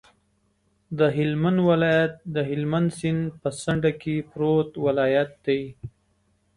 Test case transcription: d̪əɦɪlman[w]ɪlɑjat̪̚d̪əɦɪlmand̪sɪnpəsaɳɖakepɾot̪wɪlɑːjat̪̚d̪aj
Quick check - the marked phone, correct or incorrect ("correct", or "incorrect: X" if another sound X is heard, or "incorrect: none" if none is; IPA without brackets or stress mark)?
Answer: correct